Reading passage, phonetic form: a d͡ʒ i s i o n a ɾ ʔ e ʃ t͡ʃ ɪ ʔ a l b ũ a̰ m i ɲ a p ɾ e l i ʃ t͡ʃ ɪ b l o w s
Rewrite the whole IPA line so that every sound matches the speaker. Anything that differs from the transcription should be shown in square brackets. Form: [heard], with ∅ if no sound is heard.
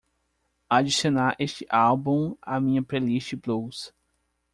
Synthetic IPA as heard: a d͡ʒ i s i o n a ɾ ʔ e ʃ t͡ʃ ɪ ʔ a l b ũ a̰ m [ĩ] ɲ [ɐ] p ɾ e l i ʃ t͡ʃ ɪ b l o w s